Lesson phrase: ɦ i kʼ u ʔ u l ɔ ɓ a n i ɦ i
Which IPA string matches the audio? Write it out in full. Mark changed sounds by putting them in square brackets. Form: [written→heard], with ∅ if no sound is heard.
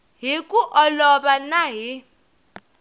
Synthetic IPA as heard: ɦ i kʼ u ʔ [u→ɔ] l ɔ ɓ a n [i→a] ɦ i